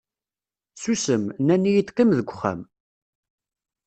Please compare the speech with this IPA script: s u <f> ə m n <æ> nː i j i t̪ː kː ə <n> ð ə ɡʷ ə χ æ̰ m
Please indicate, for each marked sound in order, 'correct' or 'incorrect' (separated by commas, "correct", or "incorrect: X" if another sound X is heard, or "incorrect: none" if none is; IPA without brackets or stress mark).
incorrect: s, correct, incorrect: m